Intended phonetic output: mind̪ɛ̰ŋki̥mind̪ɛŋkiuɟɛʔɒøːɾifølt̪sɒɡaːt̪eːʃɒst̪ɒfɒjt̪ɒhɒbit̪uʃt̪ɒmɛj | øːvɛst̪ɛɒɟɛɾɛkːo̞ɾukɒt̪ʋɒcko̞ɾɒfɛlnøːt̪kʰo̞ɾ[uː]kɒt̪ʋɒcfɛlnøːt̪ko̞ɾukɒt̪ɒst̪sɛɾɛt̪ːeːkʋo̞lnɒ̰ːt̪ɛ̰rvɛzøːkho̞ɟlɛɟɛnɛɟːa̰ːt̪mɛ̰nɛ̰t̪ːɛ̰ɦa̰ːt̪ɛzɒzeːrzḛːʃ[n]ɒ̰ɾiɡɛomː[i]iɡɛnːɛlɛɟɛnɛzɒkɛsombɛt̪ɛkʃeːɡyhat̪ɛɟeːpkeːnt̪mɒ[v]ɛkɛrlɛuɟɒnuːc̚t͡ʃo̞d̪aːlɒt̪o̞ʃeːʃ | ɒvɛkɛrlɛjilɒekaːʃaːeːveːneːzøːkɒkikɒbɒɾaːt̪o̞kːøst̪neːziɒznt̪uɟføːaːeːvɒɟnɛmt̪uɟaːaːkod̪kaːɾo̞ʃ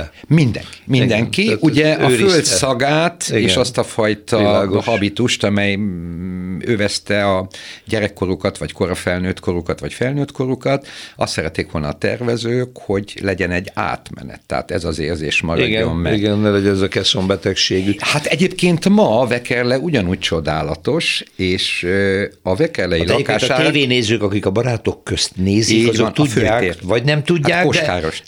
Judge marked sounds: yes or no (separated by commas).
no, no, no, yes